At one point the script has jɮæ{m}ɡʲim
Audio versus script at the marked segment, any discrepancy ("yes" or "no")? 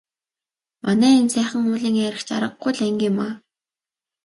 yes